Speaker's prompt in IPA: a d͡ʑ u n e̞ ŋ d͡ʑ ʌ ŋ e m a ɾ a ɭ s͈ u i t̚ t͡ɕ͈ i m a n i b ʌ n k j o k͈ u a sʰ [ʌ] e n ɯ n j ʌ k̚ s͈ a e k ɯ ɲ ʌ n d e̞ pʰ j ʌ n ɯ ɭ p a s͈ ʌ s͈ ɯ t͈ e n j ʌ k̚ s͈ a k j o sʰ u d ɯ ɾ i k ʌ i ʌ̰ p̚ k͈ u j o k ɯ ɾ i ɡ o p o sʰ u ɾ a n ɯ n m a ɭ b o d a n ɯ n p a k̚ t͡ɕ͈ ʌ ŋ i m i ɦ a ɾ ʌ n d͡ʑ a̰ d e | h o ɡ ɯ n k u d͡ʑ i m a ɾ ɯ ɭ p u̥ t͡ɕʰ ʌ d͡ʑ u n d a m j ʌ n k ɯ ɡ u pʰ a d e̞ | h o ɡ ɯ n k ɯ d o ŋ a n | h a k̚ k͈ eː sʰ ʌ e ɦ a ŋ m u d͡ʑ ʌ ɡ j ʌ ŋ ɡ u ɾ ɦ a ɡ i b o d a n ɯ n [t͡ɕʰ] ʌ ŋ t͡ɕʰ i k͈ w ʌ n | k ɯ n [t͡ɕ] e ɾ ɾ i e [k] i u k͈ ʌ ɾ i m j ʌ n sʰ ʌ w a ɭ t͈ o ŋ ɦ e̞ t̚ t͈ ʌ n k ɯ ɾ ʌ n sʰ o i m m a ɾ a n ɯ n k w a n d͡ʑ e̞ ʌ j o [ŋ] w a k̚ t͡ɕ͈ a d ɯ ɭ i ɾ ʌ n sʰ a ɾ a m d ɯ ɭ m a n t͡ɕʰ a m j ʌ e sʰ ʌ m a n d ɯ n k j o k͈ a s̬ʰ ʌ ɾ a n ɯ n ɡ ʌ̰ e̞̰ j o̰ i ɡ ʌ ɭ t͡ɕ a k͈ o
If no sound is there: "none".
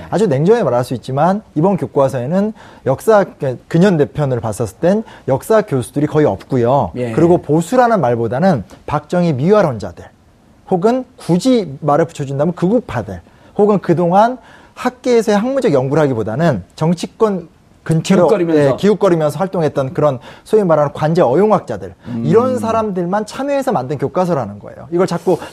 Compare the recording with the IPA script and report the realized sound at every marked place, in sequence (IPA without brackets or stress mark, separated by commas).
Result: ʌ, t͡ɕ, t͡ɕʰ, k, ŋ